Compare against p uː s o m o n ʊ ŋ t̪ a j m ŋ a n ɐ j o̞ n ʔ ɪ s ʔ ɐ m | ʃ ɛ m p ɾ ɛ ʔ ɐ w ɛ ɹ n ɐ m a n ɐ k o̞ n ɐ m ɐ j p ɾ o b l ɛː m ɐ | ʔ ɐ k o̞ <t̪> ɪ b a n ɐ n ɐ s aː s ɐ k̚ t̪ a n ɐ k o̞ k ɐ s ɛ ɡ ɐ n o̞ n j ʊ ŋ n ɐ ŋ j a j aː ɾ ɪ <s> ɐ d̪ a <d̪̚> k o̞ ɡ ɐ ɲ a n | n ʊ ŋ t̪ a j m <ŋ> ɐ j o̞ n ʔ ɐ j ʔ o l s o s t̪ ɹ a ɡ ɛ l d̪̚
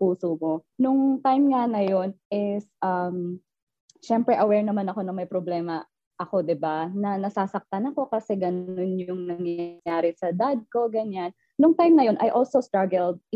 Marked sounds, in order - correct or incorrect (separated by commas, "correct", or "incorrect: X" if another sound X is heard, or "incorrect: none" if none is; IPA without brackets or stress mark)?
incorrect: d̪, correct, correct, incorrect: n